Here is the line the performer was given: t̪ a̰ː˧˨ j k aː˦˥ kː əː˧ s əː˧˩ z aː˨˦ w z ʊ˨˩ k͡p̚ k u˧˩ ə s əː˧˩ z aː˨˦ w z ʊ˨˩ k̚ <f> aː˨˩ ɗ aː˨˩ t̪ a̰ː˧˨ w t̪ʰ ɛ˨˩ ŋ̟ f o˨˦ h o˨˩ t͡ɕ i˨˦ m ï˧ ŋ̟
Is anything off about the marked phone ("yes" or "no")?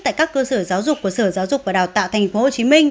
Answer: yes